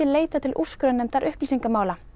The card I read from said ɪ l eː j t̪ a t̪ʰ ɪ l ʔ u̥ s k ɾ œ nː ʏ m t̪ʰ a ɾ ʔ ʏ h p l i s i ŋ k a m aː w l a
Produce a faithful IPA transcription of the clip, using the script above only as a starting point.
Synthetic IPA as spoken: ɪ l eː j t̪ a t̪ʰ ɪ l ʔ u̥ s k ɾ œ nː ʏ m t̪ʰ a ɾ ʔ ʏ h p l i s i ŋ k a m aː w l a